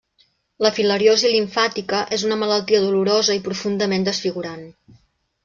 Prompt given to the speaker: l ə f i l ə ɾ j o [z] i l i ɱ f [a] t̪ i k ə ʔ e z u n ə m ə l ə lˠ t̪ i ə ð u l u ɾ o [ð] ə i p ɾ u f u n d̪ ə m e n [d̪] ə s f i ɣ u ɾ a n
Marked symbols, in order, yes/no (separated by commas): yes, yes, no, yes